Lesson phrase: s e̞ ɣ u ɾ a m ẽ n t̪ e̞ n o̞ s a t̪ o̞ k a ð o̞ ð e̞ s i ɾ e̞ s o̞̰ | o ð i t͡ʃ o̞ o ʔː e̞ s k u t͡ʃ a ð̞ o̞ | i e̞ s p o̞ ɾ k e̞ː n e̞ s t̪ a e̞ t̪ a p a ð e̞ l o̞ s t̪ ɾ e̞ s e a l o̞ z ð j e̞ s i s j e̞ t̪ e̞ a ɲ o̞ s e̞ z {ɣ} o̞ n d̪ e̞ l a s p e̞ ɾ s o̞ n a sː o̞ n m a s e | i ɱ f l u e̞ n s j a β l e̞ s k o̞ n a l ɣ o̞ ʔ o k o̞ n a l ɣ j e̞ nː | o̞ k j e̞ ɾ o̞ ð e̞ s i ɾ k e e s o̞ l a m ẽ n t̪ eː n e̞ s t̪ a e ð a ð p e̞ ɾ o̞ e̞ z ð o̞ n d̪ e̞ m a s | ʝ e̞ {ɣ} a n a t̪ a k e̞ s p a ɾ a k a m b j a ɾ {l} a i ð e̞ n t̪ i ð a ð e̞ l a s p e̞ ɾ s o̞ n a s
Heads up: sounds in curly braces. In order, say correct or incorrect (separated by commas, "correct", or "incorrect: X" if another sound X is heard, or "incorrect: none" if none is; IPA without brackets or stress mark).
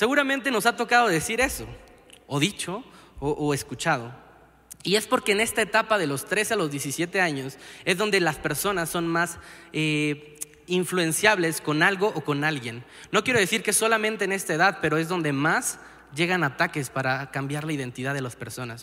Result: incorrect: ð, correct, correct